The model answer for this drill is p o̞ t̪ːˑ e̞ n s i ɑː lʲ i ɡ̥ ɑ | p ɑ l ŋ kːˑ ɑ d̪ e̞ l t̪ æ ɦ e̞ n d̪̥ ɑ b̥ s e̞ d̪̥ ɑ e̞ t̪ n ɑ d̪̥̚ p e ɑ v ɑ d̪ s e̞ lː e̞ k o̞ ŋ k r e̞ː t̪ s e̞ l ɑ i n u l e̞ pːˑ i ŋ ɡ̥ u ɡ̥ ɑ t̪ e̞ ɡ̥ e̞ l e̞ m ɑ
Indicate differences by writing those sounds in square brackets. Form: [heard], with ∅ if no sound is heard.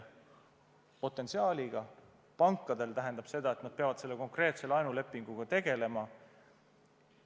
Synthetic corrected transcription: p o̞ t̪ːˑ e̞ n s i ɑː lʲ i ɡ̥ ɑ | p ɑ [∅] ŋ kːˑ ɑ d̪ e̞ l t̪ æ ɦ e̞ n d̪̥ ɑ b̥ s e̞ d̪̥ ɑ e̞ t̪ n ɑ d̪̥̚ p e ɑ v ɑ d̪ s e̞ lː e̞ k o̞ ŋ k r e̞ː t̪ s e̞ l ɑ [j] n u l e̞ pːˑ i ŋ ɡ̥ u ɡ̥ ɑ t̪ e̞ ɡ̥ e̞ l e̞ m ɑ

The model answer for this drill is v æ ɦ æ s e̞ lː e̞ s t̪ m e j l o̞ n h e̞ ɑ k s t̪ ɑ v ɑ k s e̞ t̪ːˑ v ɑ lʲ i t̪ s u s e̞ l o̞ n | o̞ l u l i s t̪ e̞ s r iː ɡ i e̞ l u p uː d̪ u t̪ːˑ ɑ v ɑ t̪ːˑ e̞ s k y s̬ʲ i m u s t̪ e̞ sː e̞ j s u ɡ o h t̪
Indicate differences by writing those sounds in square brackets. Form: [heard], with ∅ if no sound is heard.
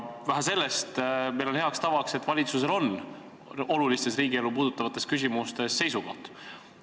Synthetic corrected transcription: v æ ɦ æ s e̞ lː e̞ s t̪ m e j l o̞ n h e̞ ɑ k s t̪ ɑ v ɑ k s e̞ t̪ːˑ v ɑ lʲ i t̪ s u s e̞ l o̞ n | o̞ l u l i s t̪ e̞ s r iː ɡ i e̞ l u p uː d̪ u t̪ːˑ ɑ v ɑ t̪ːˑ e̞ s k y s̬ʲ i m u s t̪ e̞ sː e̞ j s u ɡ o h t̪

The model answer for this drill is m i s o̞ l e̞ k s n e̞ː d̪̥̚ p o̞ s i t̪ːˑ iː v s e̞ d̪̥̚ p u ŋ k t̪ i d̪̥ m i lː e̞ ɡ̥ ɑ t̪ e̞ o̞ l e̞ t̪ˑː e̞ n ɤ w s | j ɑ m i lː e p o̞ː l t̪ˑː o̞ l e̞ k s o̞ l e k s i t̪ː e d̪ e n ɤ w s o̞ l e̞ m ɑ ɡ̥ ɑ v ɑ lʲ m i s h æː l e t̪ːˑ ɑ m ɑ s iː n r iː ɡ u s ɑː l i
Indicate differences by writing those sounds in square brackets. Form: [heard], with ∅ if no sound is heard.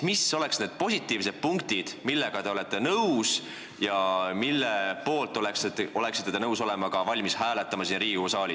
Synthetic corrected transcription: m i s o̞ l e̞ k s n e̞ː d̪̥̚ p o̞ s i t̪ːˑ iː v s e̞ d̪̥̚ p u ŋ k t̪ i d̪̥ m i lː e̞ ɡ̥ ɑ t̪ e̞ o̞ l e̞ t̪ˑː e̞ n ɤ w s | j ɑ m i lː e p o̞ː l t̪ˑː o̞ l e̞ k s o̞ l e k s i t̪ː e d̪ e n ɤ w s o̞ l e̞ m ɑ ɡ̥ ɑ v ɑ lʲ m i s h æː l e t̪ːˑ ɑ m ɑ s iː n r iː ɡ u s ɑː l i

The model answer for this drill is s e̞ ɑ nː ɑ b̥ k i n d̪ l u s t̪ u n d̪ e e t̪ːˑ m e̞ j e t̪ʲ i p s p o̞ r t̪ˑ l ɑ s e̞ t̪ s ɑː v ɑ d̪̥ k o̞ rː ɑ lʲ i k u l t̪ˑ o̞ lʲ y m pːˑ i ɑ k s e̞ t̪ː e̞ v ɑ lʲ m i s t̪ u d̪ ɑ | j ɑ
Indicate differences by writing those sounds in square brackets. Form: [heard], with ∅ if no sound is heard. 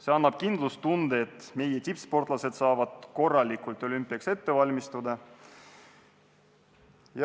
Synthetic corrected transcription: s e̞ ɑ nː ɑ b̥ k i n d̪ l u s t̪ u n d̪ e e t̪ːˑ m e̞ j e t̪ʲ i p s p o̞ r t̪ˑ l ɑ s e̞ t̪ s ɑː v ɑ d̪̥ k o̞ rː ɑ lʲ i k u l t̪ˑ o̞ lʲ y m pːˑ i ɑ k s e̞ t̪ː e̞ v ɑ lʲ m i s t̪ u d̪ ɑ | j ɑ

